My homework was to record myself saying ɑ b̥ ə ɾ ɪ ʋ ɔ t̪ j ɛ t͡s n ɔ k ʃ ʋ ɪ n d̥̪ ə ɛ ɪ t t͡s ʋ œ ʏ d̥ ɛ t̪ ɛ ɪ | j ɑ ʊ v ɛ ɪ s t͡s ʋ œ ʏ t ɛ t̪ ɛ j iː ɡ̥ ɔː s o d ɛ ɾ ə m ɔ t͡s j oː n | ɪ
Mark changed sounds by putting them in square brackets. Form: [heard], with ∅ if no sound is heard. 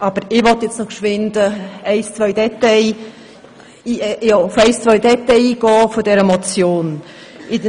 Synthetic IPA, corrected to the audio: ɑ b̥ ə ɾ ɪ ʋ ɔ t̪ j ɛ t͡s n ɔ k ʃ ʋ ɪ n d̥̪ ə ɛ ɪ [s] t͡s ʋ œ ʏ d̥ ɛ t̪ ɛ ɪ | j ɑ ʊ [f] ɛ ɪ s t͡s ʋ œ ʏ [d] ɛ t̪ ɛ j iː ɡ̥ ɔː [f] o d ɛ ɾ ə m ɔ t͡s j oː n | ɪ